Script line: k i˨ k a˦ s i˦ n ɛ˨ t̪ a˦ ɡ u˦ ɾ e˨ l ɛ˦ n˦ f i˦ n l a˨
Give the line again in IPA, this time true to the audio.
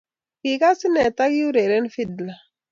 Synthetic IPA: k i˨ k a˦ s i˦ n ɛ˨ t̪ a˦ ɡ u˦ ɾ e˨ ɾ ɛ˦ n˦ f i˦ d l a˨